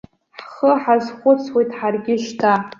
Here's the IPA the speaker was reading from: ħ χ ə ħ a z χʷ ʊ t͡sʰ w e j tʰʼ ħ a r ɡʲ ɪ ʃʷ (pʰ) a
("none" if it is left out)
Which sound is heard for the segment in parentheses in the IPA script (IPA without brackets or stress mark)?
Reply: tʰ